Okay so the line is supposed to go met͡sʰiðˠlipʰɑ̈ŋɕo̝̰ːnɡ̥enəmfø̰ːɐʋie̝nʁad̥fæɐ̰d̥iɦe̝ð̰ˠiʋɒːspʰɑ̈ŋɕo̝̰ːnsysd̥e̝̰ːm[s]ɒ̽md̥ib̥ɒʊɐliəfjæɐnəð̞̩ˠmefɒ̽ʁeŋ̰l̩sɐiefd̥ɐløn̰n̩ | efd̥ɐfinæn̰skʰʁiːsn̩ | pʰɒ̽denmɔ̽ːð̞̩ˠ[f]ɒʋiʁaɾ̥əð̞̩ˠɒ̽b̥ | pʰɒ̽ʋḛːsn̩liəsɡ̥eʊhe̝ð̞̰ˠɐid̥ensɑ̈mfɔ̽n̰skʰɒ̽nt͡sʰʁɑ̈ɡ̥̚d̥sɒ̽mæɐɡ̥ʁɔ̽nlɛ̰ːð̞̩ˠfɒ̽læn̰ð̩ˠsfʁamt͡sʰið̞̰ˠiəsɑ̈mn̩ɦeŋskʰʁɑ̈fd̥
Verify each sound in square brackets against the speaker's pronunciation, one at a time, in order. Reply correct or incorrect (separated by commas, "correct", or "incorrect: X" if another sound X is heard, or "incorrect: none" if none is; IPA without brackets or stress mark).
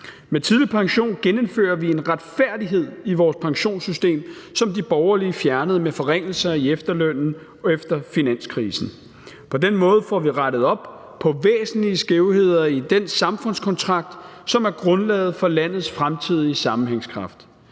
correct, correct